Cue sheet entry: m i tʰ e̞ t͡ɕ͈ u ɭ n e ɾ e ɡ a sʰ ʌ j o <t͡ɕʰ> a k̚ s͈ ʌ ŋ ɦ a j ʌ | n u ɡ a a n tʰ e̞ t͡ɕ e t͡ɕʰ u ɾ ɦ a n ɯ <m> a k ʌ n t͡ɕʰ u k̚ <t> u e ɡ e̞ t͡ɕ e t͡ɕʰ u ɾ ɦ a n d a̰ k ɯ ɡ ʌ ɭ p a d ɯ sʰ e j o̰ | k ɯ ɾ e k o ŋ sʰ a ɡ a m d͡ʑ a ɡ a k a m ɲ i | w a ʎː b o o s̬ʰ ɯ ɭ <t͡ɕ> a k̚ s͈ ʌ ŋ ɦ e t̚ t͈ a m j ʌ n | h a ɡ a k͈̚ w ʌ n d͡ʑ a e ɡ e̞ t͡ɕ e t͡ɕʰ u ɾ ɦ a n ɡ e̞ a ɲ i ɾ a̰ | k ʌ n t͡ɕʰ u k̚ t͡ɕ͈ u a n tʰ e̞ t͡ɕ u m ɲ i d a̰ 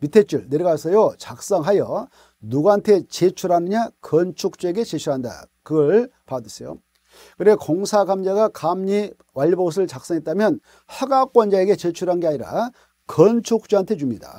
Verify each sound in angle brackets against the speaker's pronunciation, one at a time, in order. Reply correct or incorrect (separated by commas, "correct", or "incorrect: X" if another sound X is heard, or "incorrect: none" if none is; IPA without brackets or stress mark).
incorrect: t͡ɕ, incorrect: ɲ, incorrect: t͡ɕ͈, correct